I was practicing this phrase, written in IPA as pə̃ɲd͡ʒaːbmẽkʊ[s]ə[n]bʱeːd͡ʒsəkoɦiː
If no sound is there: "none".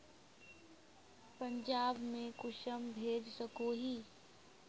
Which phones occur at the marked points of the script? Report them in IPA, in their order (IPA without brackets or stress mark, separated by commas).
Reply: ʃ, m